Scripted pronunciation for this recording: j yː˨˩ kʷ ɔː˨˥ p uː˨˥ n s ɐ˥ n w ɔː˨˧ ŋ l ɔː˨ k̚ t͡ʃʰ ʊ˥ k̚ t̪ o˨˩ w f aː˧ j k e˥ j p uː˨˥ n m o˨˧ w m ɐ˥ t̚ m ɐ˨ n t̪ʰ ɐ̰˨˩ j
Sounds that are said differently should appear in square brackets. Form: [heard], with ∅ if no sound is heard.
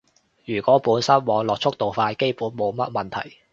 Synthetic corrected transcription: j yː˨˩ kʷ ɔː˨˥ p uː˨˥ n s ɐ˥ n w ɔː˨˧ ŋ l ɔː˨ k̚ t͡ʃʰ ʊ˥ k̚ t̪ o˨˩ w f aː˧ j k e˥ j p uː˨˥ n m o˨˧ w m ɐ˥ t̚ m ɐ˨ n t̪ʰ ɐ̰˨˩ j